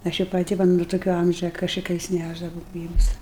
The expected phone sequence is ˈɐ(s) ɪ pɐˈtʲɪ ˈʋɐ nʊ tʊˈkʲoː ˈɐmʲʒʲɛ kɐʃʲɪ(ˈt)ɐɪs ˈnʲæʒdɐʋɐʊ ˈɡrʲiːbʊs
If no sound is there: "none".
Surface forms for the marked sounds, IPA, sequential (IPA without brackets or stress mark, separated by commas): ʃ, k